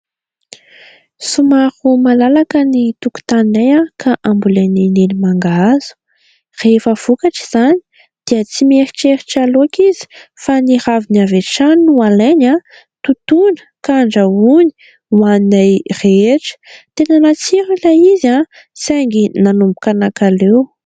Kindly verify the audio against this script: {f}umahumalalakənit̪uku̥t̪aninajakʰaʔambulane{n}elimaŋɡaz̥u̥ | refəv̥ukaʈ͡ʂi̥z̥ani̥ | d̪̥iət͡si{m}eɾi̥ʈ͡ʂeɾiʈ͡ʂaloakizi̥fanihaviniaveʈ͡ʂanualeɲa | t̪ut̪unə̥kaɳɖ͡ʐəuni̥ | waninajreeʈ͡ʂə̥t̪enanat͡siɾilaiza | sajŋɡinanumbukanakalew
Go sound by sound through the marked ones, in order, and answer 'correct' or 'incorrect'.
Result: incorrect: s, correct, correct

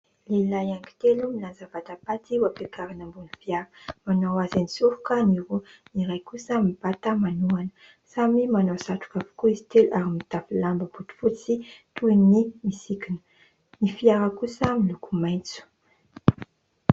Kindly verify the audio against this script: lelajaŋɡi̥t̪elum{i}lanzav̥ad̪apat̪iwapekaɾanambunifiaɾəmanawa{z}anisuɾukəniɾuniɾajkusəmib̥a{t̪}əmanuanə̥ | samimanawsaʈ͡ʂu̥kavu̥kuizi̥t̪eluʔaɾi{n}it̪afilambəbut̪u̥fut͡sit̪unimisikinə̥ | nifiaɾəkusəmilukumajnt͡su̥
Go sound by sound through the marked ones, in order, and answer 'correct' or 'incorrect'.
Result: correct, correct, correct, incorrect: m

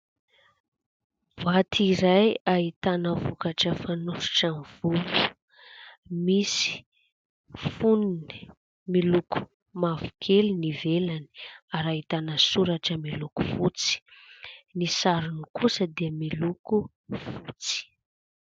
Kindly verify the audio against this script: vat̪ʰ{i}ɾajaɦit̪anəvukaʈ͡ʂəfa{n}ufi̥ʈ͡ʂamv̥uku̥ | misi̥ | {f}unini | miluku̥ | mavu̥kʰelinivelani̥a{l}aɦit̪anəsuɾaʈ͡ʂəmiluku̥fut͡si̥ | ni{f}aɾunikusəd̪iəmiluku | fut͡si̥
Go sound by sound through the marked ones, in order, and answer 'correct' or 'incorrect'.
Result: correct, correct, correct, incorrect: ɾ, incorrect: s

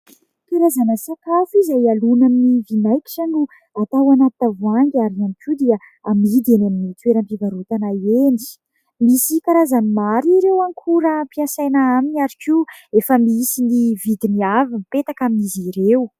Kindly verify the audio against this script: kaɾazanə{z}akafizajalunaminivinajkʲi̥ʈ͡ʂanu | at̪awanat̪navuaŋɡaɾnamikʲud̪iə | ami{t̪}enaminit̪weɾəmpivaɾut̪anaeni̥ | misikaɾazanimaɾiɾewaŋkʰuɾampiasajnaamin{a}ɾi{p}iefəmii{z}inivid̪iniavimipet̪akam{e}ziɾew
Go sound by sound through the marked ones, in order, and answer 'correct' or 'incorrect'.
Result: incorrect: s, incorrect: d̪, correct, incorrect: k, incorrect: s, incorrect: i

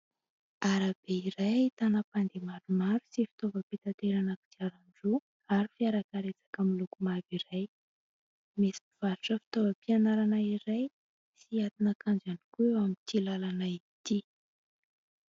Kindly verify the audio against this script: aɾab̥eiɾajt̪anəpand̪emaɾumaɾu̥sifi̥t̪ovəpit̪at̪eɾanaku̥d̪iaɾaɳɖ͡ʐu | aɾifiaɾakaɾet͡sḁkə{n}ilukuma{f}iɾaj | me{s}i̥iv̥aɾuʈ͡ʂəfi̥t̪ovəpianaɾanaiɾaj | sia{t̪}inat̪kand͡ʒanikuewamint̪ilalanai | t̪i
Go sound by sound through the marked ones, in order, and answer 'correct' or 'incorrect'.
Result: incorrect: m, incorrect: v, correct, correct

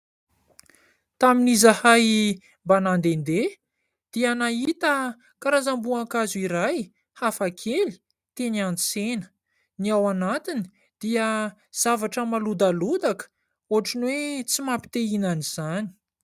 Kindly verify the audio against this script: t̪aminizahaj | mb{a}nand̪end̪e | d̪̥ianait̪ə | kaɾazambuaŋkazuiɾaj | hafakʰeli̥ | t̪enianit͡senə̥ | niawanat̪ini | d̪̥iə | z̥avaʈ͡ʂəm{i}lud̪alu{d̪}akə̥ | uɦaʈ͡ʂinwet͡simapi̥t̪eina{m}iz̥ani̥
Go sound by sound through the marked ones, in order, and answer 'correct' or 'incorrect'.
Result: correct, incorrect: a, correct, incorrect: n

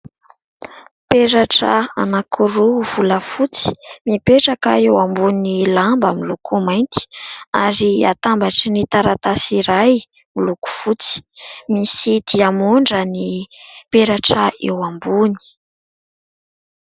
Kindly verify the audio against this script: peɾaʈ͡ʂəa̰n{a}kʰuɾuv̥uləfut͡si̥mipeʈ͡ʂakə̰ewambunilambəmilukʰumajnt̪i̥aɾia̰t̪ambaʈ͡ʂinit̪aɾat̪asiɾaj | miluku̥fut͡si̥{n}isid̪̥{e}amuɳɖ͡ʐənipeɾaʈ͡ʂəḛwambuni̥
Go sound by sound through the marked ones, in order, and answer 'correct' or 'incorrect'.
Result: correct, incorrect: m, incorrect: i

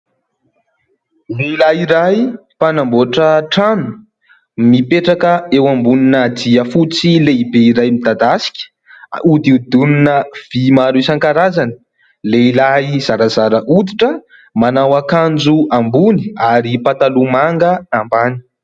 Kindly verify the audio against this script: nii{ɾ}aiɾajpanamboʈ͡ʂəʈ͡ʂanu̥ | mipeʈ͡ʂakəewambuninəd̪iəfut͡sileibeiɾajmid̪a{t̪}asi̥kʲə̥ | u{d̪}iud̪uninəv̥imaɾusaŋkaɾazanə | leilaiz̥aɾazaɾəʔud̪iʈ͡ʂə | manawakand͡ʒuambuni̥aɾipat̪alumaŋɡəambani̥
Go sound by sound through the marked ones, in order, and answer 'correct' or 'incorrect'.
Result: incorrect: l, incorrect: d̪, correct

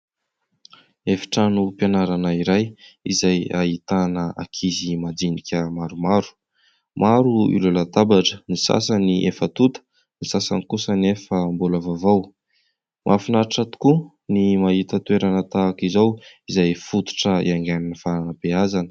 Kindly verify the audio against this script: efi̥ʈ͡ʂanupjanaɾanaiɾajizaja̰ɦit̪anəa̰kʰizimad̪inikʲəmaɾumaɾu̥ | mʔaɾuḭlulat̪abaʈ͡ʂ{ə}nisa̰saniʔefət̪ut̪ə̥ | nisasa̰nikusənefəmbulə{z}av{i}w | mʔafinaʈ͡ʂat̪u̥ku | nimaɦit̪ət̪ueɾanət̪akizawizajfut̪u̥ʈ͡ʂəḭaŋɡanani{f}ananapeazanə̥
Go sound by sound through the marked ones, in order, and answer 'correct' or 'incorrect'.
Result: correct, incorrect: v, incorrect: a, correct

